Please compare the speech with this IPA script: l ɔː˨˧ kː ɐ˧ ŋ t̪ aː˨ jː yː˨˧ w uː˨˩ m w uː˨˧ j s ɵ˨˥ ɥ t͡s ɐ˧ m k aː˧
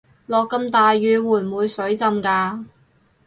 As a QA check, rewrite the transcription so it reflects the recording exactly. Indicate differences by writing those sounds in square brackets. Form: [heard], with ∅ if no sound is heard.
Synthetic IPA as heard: l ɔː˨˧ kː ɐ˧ [m] t̪ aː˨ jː yː˨˧ w uː˨˩ m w uː˨˧ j s ɵ˨˥ ɥ t͡s ɐ˧ m k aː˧